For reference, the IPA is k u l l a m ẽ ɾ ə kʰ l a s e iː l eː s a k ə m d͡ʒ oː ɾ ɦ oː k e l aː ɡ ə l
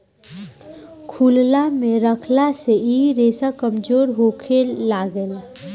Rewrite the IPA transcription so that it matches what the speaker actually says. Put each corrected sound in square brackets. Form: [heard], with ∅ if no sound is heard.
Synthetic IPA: [kʰ] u l l a m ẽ ɾ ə kʰ l a s e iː [ɾ] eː s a k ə m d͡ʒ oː ɾ ɦ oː [kʰ] e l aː ɡ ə l